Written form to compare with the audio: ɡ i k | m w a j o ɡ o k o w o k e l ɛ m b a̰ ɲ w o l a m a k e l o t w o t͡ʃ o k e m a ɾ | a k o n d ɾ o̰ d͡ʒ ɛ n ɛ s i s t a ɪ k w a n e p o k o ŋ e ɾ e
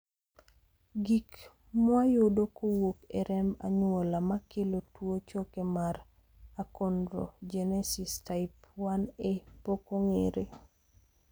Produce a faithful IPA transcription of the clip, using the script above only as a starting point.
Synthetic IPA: ɡ i k | m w a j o d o k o w o k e ɾ ɛ m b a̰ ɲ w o l a m a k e l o t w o t͡ʃ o k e m a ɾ | a k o n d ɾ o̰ d͡ʒ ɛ n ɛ s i s t a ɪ p w a n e p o k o ŋ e ɾ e